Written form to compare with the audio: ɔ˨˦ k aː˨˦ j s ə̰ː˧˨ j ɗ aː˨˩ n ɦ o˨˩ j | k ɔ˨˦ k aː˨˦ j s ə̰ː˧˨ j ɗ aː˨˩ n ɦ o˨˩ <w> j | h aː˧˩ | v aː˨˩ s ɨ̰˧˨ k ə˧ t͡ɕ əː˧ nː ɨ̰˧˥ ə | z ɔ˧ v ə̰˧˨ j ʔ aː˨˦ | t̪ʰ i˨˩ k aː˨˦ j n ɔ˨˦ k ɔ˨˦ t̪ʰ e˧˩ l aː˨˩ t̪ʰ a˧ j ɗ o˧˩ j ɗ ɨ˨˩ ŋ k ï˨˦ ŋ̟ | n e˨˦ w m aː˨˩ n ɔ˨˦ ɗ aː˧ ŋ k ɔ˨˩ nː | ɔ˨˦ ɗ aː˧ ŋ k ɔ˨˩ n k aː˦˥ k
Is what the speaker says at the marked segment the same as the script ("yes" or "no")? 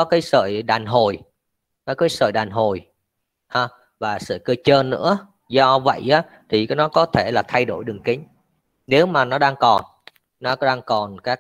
no